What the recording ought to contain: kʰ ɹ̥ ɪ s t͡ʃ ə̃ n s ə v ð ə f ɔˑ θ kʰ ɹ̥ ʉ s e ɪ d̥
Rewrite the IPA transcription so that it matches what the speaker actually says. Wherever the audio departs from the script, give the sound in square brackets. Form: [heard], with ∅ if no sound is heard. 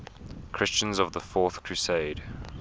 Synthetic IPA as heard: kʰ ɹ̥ ɪ s t͡ʃ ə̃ n [z] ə v ð ə f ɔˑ θ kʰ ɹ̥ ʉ s e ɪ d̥